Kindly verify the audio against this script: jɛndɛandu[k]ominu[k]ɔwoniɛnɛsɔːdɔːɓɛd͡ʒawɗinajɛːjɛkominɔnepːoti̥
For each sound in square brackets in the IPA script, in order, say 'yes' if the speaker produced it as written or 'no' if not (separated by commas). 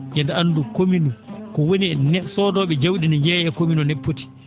yes, yes